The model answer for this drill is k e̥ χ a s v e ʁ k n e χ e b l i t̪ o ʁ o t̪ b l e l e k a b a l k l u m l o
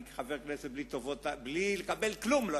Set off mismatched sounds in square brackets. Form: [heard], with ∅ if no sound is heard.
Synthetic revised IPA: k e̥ χ a [∅] v e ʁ k n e [s] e b l i t̪ o [v] o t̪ b l [i] l e k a b [e] l k l u m l o